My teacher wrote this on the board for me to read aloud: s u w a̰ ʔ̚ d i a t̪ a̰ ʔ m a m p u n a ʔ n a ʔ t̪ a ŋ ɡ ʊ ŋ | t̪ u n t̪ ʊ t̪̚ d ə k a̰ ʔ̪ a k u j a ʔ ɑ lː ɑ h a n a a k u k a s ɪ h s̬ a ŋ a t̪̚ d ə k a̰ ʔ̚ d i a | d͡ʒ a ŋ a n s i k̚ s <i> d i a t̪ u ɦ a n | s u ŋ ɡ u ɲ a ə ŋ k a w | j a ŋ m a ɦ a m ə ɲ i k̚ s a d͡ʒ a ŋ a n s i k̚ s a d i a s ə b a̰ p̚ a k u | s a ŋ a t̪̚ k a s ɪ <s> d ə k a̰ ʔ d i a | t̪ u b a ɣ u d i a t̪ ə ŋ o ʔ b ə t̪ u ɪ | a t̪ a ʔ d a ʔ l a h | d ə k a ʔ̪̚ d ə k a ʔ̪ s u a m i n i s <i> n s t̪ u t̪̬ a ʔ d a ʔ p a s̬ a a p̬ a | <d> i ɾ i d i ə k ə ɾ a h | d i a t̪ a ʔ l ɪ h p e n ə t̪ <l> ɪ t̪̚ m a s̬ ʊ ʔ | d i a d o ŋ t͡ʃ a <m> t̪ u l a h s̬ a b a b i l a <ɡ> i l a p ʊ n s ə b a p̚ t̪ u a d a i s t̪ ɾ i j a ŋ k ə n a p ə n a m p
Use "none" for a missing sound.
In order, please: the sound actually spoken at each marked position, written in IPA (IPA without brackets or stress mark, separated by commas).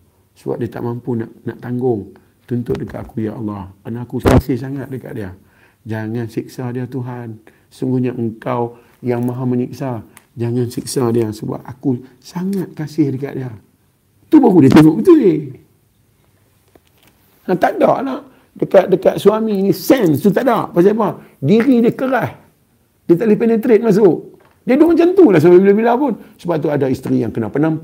a, h, ɛ, d, ɾ, n, b